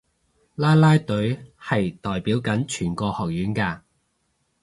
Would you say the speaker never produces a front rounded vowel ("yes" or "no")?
no